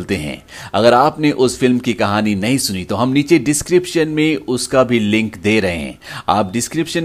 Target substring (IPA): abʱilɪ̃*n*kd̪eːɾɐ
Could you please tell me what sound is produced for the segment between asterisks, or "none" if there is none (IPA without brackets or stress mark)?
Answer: ŋ